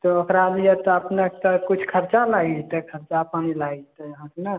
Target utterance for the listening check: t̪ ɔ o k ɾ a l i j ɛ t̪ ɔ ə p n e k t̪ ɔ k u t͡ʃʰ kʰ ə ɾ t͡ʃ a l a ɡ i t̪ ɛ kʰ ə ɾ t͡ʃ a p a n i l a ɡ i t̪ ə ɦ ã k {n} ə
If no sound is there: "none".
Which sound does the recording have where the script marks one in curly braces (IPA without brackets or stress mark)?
n